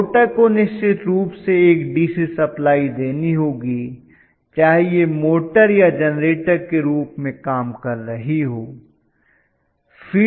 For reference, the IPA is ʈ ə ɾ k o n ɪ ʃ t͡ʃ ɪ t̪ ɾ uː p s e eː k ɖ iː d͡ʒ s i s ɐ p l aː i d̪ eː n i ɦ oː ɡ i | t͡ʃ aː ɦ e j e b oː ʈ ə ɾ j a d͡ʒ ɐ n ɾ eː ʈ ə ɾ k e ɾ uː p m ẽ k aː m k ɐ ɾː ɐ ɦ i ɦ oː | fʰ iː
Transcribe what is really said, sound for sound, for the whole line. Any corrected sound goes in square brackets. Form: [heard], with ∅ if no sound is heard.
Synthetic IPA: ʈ ə ɾ k o n ɪ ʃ t͡ʃ ɪ t̪ ɾ uː p s e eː k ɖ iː [∅] s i s ɐ p l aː i d̪ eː n i ɦ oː ɡ i | t͡ʃ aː ɦ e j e [m] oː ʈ ə ɾ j a d͡ʒ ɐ n ɾ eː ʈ ə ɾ k e ɾ uː p m ẽ k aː m k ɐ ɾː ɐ ɦ i ɦ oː | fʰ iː